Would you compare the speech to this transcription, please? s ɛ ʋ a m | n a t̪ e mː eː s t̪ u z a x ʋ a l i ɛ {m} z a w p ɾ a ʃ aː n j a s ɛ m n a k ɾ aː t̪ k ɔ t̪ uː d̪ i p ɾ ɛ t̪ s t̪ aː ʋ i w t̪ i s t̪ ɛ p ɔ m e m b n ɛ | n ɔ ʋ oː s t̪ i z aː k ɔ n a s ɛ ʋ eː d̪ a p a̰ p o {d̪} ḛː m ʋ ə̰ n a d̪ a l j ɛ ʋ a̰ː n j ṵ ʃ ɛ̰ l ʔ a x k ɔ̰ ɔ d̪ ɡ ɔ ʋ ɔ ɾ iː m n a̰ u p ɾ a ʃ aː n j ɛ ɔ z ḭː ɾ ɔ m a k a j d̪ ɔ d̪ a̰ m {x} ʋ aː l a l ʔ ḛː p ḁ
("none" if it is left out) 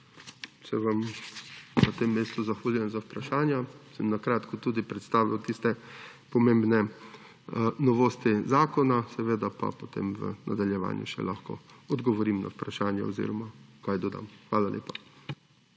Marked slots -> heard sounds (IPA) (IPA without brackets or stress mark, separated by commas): n, t̪, x